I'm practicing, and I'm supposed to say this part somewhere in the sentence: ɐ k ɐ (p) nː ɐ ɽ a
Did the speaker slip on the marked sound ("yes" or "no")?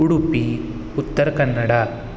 yes